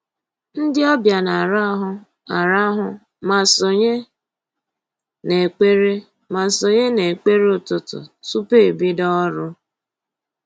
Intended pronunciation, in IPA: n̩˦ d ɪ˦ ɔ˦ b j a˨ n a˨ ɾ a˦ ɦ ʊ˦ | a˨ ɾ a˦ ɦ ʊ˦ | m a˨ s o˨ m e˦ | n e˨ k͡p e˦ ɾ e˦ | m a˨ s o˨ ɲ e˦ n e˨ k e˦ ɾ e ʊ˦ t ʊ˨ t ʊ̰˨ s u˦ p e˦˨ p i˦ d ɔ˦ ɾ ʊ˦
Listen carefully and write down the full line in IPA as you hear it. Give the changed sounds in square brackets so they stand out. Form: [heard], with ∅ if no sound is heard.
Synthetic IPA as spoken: n̩˦ d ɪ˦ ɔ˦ b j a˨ n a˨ ɾ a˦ ɦ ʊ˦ | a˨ ɾ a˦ ɦ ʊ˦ | m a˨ s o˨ [ɲ] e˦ | n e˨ k͡p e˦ ɾ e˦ | m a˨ s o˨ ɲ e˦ n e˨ [k͡p] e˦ ɾ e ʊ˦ t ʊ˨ t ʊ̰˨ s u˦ p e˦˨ [b] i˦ d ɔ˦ ɾ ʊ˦